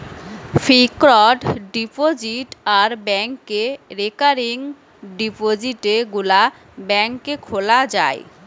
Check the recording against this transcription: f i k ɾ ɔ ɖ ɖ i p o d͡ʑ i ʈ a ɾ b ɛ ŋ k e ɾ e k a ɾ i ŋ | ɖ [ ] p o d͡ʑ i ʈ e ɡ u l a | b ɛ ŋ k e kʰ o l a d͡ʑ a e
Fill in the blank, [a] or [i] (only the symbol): i